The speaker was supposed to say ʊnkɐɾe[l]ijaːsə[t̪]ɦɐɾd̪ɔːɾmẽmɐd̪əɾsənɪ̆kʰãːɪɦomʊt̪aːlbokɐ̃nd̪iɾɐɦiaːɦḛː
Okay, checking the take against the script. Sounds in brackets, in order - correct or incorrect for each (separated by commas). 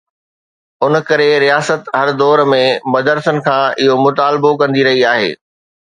incorrect, correct